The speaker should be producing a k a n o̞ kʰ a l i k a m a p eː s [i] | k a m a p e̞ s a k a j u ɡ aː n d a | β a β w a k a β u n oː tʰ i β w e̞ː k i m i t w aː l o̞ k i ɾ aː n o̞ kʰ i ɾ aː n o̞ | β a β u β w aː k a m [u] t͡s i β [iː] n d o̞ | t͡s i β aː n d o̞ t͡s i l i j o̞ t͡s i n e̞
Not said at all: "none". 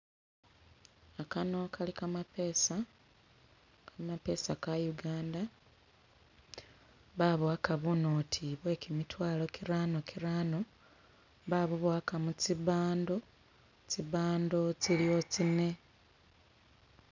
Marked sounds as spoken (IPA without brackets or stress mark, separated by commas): a, u, aː